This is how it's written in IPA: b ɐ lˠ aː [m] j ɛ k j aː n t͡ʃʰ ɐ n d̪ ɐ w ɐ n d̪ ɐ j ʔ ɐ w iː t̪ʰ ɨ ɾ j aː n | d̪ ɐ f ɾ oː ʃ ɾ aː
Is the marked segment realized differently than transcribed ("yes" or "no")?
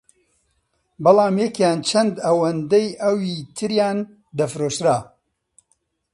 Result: no